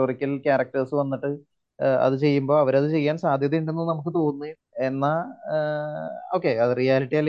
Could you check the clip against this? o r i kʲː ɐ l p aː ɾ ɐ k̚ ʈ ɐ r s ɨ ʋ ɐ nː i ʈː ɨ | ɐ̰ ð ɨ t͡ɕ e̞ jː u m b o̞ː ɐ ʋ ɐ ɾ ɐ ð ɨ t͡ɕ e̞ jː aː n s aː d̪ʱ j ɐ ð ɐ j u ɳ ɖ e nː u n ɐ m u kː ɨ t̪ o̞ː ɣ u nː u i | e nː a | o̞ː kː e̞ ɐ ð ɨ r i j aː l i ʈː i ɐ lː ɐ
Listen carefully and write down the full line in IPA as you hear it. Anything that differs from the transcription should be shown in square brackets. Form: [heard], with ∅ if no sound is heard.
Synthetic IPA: o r i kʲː ɐ l [k] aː ɾ ɐ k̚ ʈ ɐ r s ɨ ʋ ɐ nː i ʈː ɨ | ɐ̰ ð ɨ t͡ɕ e̞ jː u m b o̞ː ɐ ʋ ɐ ɾ ɐ ð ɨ t͡ɕ e̞ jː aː n s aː d̪ʱ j ɐ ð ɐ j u ɳ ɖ e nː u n ɐ m u kː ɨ t̪ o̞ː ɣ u nː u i | e nː a | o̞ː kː e̞ ɐ ð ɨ r i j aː l i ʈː i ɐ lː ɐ